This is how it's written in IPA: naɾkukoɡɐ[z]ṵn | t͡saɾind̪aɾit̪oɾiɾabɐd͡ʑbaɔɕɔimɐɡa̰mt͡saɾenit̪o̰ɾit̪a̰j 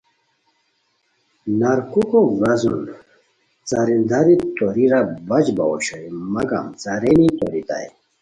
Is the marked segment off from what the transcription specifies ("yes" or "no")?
no